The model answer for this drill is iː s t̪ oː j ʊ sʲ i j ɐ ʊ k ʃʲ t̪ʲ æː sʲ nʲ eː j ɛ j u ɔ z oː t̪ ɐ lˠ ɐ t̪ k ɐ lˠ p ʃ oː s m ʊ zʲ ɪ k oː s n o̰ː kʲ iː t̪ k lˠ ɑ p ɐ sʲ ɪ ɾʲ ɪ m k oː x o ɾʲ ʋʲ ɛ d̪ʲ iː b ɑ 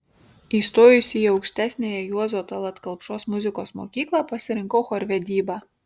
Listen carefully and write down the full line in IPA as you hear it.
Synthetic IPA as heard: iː s t̪ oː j ʊ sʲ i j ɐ ʊ k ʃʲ t̪ʲ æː sʲ nʲ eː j ɛ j u ɔ z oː t̪ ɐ lˠ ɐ t̪ k ɐ lˠ p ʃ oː s m ʊ zʲ ɪ k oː s m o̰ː kʲ iː k lˠ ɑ p ɐ sʲ ɪ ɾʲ ɪ ŋ k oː x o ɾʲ ʋʲ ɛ d̪ʲ iː b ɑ

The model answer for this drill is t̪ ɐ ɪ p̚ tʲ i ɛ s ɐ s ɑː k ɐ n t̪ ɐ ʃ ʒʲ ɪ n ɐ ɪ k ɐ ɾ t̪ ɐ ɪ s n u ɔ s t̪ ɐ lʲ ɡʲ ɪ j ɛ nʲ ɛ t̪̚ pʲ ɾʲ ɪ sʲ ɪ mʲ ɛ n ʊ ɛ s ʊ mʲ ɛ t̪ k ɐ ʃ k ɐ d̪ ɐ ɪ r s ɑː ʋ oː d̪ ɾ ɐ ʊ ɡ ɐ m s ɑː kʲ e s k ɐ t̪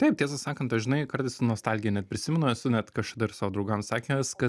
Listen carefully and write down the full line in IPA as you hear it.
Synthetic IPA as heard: t̪ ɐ ɪ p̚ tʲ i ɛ s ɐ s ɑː k ɐ n t̪ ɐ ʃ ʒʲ ɪ n ɐ ɪ k ɐ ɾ t̪ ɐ ɪ s n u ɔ s t̪ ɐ lʲ ɡʲ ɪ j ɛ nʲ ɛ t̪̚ pʲ ɾʲ ɪ sʲ ɪ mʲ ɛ n ʊ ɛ s ʊ nʲ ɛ t̪ k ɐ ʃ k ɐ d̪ ɐ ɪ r s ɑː ʋ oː d̪ ɾ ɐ ʊ ɡ ɐ m s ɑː kʲ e s k ɐ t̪

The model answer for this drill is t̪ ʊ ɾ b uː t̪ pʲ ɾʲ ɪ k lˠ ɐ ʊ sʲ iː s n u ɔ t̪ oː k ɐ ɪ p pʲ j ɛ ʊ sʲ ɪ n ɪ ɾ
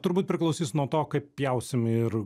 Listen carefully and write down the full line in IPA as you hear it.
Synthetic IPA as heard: t̪ ʊ ɾ b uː t̪ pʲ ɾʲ ɪ k lˠ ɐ ʊ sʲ iː s n u ɔ t̪ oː k ɐ ɪ p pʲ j ɛ ʊ sʲ ɪ m ɪ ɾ

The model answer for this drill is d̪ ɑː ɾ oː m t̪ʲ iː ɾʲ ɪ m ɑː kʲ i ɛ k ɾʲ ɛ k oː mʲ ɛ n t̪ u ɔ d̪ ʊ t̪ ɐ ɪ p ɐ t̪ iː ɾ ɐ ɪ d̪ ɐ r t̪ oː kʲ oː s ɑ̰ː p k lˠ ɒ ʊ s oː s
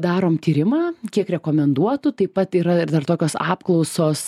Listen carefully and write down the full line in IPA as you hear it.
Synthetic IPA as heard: d̪ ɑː ɾ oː m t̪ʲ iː ɾʲ ɪ m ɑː kʲ i ɛ k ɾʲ ɛ k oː mʲ ɛ n d̪ u ɔ t̪ ʊ t̪ ɐ ɪ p ɐ t̪ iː ɾ ɐ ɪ d̪ ɐ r t̪ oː kʲ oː s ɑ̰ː p k lˠ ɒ ʊ s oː s

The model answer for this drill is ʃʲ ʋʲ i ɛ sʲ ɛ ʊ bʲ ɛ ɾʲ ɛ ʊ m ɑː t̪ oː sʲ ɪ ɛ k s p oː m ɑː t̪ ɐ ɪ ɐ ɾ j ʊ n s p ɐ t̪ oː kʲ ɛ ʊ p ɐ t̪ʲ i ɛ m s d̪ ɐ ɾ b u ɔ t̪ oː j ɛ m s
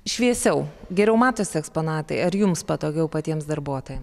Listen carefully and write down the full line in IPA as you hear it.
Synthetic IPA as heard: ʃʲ ʋʲ i ɛ sʲ ɛ ʊ ɡʲ ɛ ɾʲ ɛ ʊ m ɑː t̪ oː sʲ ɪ ɛ k s p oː n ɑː t̪ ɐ ɪ ɐ ɾ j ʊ m s p ɐ t̪ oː ɡʲ ɛ ʊ p ɐ t̪ʲ i ɛ m s d̪ ɐ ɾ b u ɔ t̪ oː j ɛ m s

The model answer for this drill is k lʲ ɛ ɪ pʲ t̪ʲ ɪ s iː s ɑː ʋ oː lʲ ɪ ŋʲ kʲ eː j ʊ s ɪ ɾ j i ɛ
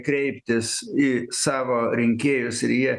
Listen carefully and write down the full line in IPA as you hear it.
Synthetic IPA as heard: k ɾʲ ɛ ɪ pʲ t̪ʲ ɪ s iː s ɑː ʋ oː ɾʲ ɪ ŋʲ kʲ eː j ʊ s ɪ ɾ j i ɛ

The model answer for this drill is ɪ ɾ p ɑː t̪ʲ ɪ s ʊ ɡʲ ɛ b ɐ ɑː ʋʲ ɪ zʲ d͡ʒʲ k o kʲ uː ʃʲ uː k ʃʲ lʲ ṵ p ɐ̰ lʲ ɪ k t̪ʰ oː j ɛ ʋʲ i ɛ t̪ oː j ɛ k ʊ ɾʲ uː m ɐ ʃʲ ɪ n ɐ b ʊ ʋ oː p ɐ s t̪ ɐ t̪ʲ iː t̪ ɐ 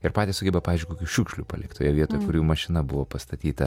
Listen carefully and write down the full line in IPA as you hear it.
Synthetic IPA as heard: ɪ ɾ p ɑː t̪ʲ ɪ s ʊ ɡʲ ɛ b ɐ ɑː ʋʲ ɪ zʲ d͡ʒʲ k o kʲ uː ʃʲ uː k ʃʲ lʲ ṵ p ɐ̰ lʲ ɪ k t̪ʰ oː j ɛ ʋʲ i ɛ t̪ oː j ɛ k ʊ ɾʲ uː m ɐ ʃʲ ɪ n ɐ b ʊ ʋ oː p ɐ s t̪ ɐ t̪ʲ iː t̪ ɐ

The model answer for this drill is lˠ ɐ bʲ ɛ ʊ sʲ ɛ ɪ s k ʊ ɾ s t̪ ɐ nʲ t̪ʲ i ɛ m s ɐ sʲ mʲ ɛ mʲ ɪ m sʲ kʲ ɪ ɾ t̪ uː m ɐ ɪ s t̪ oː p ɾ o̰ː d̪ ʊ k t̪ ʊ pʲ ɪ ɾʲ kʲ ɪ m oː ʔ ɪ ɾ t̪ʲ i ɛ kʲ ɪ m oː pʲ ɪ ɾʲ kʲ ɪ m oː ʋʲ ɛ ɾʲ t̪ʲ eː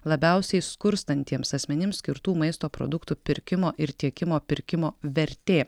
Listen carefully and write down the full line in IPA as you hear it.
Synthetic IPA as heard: lˠ ɐ bʲ ɛ ʊ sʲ ɛ ɪ s k ʊ ɾ s t̪ ɐ nʲ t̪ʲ i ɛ m s ɐ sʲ mʲ ɛ nʲ ɪ m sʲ kʲ ɪ ɾ t̪ uː m ɐ ɪ s t̪ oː p ɾ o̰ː d̪ ʊ k t̪ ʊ pʲ ɪ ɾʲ kʲ ɪ m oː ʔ ɪ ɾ t̪ʲ i ɛ kʲ ɪ m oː pʲ ɪ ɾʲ kʲ ɪ m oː ʋʲ ɛ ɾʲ t̪ʲ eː

